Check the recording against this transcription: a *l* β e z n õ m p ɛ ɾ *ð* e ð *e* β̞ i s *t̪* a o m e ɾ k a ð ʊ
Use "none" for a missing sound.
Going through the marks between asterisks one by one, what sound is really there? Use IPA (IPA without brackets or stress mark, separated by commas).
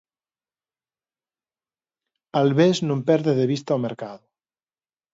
l, ð, e, t̪